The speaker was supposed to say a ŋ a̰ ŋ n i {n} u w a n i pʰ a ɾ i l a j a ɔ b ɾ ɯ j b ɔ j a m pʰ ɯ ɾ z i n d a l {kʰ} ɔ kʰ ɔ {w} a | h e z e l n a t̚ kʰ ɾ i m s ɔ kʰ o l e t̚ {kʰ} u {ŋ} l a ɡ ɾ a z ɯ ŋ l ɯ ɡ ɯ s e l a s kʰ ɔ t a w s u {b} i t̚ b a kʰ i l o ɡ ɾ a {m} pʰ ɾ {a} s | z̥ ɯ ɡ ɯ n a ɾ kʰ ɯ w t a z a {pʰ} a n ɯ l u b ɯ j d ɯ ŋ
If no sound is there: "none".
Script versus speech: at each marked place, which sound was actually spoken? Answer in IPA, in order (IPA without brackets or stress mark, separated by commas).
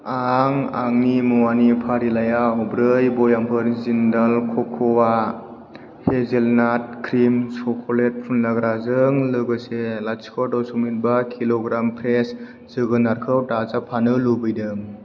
m, kʰ, w, pʰ, n, m, m, e, pʰ